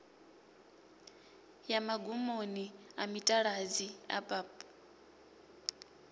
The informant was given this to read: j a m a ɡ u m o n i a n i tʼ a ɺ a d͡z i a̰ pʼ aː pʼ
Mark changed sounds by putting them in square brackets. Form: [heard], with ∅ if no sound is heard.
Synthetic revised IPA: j a m a ɡ u m o n i a [m] i tʼ a ɺ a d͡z i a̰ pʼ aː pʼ